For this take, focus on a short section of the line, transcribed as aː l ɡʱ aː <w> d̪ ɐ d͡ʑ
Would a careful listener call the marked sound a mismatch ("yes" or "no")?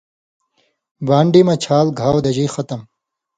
no